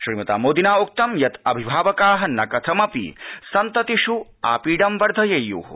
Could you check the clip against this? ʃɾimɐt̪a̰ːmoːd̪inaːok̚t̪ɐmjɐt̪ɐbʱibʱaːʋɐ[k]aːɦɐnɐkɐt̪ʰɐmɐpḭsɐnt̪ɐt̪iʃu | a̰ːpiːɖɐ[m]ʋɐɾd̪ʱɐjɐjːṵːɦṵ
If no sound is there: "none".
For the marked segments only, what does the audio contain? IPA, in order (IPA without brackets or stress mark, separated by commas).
k, m